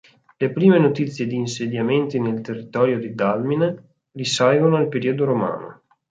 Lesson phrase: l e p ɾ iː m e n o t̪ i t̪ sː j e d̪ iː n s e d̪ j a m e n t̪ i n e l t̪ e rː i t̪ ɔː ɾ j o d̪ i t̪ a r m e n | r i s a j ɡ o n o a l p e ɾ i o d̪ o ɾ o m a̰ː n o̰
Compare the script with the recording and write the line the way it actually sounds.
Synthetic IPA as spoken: l e p ɾ iː m e n o t̪ i t̪ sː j e d̪ iː n s e d̪ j a m e n t̪ i n e l t̪ e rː i t̪ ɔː ɾ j o d̪ i d̪ a l m i n | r i s a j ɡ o n o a l p e ɾ i o d̪ o ɾ o m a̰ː n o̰